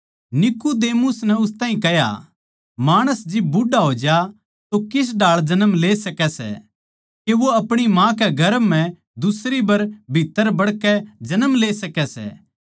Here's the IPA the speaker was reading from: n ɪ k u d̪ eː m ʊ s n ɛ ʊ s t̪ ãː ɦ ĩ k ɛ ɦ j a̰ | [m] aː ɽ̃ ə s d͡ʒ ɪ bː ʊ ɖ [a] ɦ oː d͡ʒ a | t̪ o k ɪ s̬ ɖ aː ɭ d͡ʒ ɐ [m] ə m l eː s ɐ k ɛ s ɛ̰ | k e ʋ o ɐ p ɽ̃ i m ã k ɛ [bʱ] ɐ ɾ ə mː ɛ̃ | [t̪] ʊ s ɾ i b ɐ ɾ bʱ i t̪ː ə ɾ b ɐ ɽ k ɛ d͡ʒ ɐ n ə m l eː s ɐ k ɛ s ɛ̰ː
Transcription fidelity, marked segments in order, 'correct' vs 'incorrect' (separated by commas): correct, correct, incorrect, incorrect, incorrect